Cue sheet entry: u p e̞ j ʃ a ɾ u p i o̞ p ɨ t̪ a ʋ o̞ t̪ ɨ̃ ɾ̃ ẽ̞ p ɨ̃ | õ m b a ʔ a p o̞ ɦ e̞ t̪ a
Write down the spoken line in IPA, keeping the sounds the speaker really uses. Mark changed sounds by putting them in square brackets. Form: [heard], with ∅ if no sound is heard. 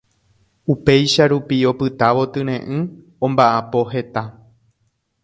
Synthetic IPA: u p e̞ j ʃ a ɾ u p i o̞ p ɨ t̪ a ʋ o̞ t̪ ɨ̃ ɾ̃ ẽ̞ [ʔ] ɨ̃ | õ m b a ʔ a p o̞ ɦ e̞ t̪ a